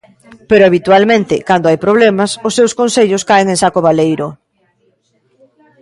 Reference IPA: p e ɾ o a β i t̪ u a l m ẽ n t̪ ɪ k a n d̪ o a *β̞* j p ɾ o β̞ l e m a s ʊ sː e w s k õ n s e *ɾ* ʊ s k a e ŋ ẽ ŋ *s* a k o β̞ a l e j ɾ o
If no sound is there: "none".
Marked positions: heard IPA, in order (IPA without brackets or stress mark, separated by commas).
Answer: none, ʎ, s